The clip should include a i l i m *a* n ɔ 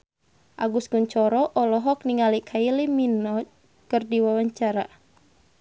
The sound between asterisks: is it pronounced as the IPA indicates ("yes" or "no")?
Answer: no